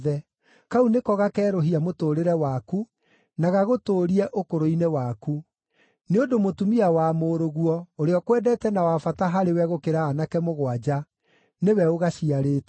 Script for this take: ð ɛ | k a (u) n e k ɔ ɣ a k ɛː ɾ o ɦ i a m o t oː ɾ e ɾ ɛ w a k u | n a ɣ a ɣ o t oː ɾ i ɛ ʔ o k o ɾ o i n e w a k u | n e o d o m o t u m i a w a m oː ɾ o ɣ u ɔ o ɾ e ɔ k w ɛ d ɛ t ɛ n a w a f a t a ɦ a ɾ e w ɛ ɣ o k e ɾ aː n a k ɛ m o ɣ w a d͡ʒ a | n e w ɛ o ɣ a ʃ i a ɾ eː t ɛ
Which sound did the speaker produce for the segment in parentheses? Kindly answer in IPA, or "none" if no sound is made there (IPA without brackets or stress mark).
u